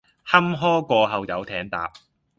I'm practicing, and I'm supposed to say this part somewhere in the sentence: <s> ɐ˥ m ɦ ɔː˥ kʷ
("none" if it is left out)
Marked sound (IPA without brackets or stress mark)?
h